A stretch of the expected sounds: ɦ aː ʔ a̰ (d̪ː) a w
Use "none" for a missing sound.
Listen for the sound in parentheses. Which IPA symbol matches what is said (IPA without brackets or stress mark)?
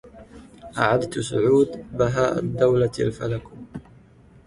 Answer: d̪ː